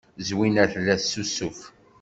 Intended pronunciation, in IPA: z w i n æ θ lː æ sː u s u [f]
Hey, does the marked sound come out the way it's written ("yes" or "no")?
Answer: yes